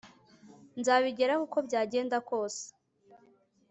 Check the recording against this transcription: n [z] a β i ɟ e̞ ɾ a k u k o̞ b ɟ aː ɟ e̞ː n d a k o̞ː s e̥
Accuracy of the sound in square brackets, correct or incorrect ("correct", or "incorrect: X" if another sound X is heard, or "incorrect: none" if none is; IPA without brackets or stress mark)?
correct